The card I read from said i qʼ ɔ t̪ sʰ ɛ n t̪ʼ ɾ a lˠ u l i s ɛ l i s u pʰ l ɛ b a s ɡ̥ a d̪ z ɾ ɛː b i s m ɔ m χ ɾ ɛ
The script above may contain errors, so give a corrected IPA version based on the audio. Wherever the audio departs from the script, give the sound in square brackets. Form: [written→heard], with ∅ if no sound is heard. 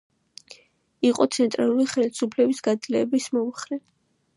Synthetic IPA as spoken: i qʼ ɔ t̪ sʰ ɛ n t̪ʼ ɾ a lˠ u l i [s→χ] ɛ l i s u pʰ l ɛ b [a→i] s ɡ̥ a d̪ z [ɾ→l] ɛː b i s m ɔ m χ ɾ ɛ